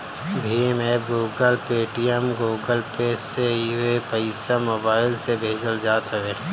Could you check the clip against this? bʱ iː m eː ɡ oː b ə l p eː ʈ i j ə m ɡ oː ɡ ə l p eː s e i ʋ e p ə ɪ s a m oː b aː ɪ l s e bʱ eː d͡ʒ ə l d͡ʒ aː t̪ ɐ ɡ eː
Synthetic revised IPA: bʱ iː m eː ɡ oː ɡ ə l p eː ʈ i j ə m ɡ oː ɡ ə l p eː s e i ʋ e p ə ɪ s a m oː b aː ɪ l s e bʱ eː d͡ʒ ə l d͡ʒ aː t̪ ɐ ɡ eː